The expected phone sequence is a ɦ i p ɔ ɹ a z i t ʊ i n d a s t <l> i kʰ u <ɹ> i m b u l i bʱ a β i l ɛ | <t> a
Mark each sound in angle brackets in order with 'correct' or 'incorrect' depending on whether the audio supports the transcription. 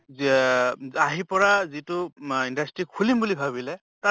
incorrect: ɹ, incorrect: l, correct

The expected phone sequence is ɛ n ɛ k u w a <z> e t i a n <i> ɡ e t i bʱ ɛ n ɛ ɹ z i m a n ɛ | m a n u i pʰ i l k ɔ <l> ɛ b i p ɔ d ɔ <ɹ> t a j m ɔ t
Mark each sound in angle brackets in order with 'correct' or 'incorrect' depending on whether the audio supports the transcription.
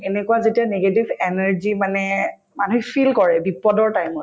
correct, incorrect: e, incorrect: ɹ, correct

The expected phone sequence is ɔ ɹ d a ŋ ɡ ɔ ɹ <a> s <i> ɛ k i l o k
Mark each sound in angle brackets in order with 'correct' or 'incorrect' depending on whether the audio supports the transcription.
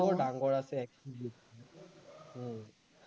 correct, incorrect: ɛ

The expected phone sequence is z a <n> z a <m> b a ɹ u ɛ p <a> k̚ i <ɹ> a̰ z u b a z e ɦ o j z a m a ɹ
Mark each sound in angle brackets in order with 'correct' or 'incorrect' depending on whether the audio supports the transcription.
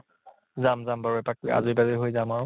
incorrect: m, correct, correct, incorrect: none

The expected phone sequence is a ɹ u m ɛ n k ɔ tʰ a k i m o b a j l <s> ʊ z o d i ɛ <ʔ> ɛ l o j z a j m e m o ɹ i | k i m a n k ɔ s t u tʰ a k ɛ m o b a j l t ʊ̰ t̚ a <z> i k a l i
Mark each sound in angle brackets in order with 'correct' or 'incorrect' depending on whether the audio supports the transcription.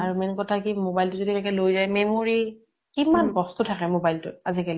incorrect: t, incorrect: k, correct

